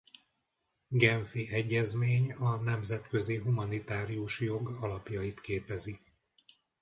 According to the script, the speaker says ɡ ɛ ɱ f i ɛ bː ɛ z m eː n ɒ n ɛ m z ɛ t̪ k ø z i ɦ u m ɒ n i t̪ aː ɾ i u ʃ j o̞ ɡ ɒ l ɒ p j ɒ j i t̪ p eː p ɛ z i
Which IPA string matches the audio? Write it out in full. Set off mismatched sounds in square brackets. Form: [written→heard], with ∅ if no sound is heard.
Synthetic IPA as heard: ɡ ɛ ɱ f i ɛ [bː→ɟː] ɛ z m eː [n→ɲ] ɒ n ɛ m z ɛ t̪ k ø z i ɦ u m ɒ n i t̪ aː ɾ i u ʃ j o̞ ɡ ɒ l ɒ p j ɒ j i t̪ [p→k] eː p ɛ z i

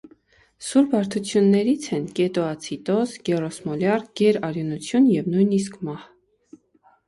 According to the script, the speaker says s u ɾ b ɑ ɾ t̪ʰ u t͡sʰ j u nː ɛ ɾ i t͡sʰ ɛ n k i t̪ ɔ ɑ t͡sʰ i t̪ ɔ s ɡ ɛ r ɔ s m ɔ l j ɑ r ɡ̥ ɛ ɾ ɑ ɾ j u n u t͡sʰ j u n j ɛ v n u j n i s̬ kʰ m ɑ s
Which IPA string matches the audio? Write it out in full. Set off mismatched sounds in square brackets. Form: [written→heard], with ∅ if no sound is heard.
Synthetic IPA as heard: s u ɾ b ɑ ɾ t̪ʰ u t͡sʰ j u nː ɛ ɾ i t͡sʰ ɛ n k [i→ɛ] t̪ ɔ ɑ t͡sʰ i t̪ ɔ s ɡ ɛ r ɔ s m ɔ l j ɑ r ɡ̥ ɛ ɾ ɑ ɾ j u n u t͡sʰ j u n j ɛ v n u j n i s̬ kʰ m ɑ [s→h]

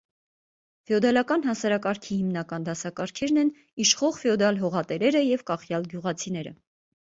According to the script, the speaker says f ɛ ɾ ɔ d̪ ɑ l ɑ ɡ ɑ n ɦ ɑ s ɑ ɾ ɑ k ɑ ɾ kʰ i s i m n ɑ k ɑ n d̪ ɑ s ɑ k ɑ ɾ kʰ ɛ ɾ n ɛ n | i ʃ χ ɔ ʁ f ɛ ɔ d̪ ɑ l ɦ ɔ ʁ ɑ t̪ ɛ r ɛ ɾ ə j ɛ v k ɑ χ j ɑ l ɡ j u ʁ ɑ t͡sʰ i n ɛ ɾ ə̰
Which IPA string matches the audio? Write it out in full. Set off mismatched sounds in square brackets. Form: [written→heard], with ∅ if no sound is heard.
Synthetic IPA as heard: f ɛ [ɾ→∅] ɔ d̪ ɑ l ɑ [ɡ→k] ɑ n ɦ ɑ s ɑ ɾ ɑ k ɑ ɾ kʰ i [s→h] i m n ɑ k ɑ n d̪ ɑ s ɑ k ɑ ɾ kʰ ɛ ɾ n ɛ n | i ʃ χ ɔ ʁ f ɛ ɔ d̪ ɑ l ɦ ɔ ʁ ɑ t̪ ɛ [r→ɾ] ɛ ɾ ə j ɛ v k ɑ χ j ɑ l ɡ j u ʁ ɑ t͡sʰ i n ɛ ɾ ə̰

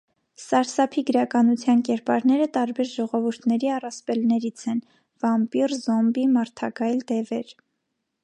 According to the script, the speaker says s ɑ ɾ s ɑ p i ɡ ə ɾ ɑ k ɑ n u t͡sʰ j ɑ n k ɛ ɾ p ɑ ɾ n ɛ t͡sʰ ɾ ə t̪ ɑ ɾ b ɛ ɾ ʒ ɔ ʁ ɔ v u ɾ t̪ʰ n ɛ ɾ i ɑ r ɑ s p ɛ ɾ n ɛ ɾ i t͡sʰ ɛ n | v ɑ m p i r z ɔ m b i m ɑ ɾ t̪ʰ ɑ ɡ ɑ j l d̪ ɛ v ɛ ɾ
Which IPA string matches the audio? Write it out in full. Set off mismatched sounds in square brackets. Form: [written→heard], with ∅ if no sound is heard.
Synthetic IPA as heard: s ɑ ɾ s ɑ [p→pʰ] i ɡ ə ɾ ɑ k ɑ n u t͡sʰ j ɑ n k ɛ ɾ p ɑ ɾ n ɛ [t͡sʰ→∅] ɾ ə t̪ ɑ ɾ b ɛ ɾ ʒ ɔ ʁ ɔ v u ɾ t̪ʰ n ɛ ɾ i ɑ r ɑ s p ɛ [ɾ→l] n ɛ ɾ i t͡sʰ ɛ n | v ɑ m p i r z ɔ m b i m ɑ ɾ t̪ʰ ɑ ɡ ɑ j l d̪ ɛ v ɛ ɾ

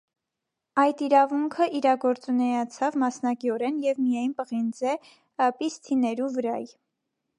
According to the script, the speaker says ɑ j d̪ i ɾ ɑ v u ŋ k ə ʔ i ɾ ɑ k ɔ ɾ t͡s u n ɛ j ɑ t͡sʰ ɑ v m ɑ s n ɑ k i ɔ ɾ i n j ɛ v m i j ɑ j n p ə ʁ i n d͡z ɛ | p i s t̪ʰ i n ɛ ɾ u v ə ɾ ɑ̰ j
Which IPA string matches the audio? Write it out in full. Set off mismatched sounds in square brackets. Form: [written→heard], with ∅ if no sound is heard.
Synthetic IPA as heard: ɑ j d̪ i ɾ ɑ v u ŋ [k→kʰ] ə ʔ i ɾ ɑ [k→ɡ] ɔ ɾ t͡s u n ɛ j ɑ t͡sʰ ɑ v m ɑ s n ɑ k i ɔ ɾ [i→ɛ] n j ɛ v m i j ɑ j n p ə ʁ i n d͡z ɛ | p i s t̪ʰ i n ɛ ɾ u v ə ɾ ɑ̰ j

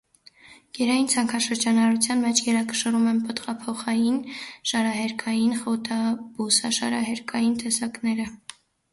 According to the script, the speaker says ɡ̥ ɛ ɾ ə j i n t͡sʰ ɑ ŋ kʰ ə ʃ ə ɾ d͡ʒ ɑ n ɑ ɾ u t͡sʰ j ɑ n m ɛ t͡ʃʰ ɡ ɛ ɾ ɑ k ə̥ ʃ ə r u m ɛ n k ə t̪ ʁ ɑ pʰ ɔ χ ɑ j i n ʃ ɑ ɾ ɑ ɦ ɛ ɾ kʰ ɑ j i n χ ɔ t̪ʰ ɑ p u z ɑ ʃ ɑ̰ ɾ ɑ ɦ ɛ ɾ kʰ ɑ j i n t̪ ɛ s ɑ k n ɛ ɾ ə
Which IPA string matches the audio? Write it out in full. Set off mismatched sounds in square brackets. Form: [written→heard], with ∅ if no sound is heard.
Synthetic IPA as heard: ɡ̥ ɛ ɾ [ə→ɑ] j i n t͡sʰ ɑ ŋ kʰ [ə→ɑ] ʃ ə ɾ d͡ʒ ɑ n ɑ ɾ u t͡sʰ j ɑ n m ɛ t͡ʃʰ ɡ ɛ ɾ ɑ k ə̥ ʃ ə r u m ɛ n [k→p] ə t̪ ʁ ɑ pʰ ɔ χ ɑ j i n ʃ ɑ ɾ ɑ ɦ ɛ ɾ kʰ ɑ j i n χ ɔ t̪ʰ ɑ [p→b] u [z→s] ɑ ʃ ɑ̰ ɾ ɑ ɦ ɛ ɾ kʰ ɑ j i n t̪ ɛ s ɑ k n ɛ ɾ ə

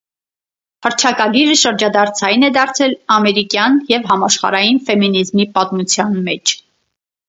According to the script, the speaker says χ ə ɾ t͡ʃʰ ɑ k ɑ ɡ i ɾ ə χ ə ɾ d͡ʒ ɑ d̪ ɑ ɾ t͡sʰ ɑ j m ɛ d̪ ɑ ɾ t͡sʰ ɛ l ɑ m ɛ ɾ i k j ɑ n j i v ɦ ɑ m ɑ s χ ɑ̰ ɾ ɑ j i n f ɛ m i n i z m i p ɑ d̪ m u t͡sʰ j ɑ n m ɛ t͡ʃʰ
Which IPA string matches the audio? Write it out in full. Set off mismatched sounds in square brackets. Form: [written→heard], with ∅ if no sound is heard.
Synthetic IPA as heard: [χ→h] ə ɾ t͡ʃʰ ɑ k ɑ ɡ i ɾ ə [χ→ʃ] ə ɾ d͡ʒ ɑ d̪ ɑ ɾ t͡sʰ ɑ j [m→n] ɛ d̪ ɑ ɾ t͡sʰ ɛ l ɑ m ɛ ɾ i k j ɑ n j [i→ɛ] v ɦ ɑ m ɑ [s→ʃ] χ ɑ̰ ɾ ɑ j i n f ɛ m i n i z m i p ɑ [d̪→t̪] m u t͡sʰ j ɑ n m ɛ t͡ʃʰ

